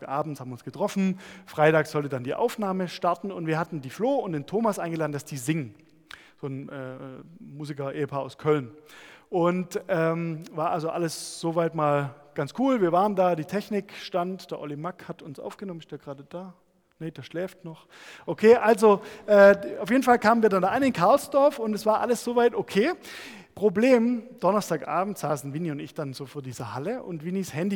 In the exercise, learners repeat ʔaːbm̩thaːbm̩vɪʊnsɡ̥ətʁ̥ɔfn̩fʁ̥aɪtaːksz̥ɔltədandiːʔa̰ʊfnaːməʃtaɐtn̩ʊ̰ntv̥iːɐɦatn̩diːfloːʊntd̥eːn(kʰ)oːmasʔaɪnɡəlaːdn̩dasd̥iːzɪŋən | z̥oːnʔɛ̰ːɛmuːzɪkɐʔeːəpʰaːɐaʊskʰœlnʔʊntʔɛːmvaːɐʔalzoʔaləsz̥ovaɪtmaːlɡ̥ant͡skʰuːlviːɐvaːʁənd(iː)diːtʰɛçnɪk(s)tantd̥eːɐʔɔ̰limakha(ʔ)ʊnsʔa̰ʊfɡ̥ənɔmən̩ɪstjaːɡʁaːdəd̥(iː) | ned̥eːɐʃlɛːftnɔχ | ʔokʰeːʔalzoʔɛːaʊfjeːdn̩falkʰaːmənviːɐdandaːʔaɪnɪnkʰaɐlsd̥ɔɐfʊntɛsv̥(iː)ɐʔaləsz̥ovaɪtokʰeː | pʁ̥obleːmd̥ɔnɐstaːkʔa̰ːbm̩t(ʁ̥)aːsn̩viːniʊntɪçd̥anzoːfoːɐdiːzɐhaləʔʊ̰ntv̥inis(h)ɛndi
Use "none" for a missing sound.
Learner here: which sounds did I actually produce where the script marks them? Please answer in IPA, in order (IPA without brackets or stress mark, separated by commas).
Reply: tʰ, aː, ʃ, t, aː, aː, z̥, h